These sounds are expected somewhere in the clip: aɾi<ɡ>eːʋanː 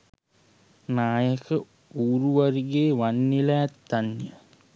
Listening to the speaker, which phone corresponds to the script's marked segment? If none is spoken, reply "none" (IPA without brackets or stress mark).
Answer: ɡ